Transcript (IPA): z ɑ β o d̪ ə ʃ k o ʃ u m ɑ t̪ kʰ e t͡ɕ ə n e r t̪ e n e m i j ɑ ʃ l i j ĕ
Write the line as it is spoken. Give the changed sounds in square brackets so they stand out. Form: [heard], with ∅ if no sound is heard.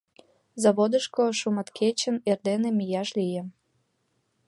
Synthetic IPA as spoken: z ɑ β o d̪ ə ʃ k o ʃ u m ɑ t̪ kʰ e t͡ɕ ə n e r [d̪] e n e m i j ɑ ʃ l i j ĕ